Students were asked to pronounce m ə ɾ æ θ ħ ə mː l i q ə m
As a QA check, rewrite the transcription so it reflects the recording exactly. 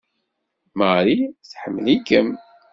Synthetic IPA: m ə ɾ i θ ħ ə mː l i k ə m